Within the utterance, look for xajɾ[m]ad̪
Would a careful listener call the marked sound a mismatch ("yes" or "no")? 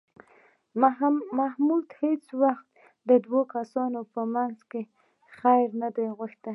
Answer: yes